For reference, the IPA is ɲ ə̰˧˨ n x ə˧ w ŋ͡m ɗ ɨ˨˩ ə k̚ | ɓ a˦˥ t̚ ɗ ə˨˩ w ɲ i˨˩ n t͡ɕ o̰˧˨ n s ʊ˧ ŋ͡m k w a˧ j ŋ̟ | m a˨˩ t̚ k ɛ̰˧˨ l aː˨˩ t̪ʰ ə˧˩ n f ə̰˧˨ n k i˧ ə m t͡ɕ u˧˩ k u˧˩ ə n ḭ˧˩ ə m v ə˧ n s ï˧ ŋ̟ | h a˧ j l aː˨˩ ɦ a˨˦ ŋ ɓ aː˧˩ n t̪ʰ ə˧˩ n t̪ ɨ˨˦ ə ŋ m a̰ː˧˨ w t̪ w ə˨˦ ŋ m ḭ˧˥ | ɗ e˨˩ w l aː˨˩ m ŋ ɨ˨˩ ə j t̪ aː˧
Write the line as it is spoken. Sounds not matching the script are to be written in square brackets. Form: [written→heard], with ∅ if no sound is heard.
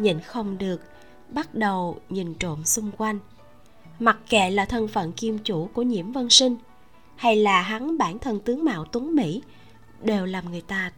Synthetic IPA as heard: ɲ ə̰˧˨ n x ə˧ w ŋ͡m ɗ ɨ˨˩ ə k̚ | ɓ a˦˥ t̚ ɗ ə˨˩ w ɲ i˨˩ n t͡ɕ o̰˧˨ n s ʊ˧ ŋ͡m k w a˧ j ŋ̟ | m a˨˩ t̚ k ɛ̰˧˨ l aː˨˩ t̪ʰ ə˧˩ n f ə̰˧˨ n k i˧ ə m t͡ɕ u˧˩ k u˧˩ ə [n→ɲ] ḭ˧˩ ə m v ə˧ n s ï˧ ŋ̟ | h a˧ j l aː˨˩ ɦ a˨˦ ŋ ɓ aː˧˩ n t̪ʰ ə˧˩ n t̪ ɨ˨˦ ə ŋ m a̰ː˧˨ w t̪ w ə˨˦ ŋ m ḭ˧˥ | ɗ e˨˩ w l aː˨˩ m ŋ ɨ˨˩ ə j t̪ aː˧